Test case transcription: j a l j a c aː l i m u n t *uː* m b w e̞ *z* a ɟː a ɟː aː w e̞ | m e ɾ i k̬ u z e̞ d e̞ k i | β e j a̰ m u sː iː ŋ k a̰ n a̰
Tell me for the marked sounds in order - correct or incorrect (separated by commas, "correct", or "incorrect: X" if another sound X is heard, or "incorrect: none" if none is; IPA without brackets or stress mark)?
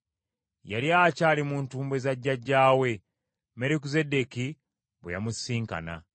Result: correct, correct